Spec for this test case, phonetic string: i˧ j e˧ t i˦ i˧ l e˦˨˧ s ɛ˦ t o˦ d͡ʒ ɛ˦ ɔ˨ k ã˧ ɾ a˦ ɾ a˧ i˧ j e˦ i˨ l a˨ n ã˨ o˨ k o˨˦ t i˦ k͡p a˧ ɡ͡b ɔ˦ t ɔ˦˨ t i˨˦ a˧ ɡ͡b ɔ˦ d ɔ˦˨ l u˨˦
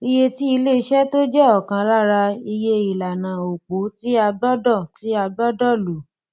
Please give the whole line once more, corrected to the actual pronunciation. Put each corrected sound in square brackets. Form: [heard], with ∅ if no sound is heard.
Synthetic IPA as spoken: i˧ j e˧ t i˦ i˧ l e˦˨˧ [ʃ] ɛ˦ t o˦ d͡ʒ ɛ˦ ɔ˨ k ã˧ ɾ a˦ ɾ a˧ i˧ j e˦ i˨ l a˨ n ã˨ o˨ [k͡p] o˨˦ t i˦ [∅] a˧ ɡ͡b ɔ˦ [d] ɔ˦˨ t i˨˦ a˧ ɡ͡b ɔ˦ d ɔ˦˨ l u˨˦